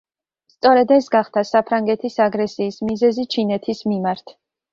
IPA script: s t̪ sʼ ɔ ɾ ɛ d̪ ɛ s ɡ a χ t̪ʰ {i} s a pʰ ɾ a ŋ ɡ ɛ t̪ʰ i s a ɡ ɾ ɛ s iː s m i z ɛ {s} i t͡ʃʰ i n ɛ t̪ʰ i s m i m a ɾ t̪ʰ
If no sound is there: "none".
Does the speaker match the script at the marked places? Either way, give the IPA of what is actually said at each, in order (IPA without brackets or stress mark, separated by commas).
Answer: a, z